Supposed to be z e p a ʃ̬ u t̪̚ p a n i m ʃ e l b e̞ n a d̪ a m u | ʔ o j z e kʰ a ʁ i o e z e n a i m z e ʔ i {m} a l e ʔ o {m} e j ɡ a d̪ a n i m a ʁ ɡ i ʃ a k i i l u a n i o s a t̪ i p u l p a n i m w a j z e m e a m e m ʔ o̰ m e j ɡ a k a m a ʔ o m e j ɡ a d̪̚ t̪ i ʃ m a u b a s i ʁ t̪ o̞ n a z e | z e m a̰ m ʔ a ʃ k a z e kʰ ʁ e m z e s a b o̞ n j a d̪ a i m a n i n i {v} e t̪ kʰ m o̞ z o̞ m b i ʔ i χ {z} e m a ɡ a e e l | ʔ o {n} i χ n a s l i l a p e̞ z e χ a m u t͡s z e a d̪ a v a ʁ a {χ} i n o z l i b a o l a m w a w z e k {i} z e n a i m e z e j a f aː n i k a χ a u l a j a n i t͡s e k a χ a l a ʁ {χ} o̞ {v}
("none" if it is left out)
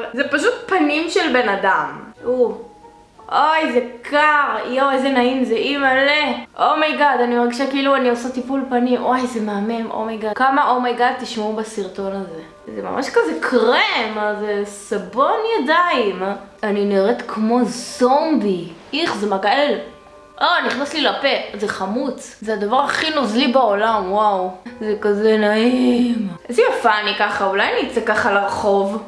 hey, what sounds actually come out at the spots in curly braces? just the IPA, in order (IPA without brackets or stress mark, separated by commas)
m, m, ʁ, z, n, χ, a, χ, v